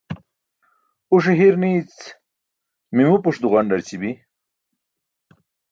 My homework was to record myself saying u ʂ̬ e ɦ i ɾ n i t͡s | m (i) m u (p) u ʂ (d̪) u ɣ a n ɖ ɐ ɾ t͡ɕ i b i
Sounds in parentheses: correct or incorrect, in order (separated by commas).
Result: correct, correct, correct